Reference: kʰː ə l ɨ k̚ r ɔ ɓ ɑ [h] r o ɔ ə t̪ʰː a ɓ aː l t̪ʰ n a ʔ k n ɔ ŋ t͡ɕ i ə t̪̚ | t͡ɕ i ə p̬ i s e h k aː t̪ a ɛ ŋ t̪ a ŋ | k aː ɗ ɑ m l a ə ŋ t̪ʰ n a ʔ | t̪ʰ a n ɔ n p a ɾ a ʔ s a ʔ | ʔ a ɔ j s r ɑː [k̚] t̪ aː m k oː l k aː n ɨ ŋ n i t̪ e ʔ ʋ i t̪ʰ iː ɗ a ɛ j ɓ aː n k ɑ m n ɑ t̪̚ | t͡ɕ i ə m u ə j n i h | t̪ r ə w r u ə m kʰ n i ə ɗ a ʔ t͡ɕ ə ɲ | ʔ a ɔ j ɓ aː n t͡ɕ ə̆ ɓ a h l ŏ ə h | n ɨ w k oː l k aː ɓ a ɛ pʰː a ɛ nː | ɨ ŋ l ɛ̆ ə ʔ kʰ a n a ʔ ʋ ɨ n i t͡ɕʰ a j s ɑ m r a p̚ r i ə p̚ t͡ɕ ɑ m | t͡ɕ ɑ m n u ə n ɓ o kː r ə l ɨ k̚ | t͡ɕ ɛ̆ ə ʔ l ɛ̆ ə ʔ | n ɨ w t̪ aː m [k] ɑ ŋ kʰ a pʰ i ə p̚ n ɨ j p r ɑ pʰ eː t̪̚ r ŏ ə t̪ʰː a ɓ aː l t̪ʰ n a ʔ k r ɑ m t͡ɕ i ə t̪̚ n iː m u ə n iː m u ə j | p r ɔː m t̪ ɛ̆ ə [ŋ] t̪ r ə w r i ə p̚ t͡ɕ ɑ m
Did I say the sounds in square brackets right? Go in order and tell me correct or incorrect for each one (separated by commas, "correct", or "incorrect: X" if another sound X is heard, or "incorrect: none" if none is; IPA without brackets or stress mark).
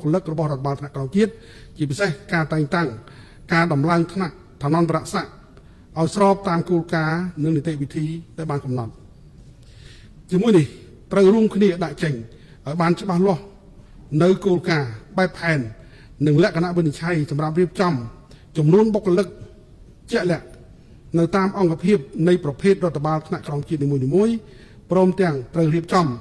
correct, incorrect: p̚, incorrect: ʔ, correct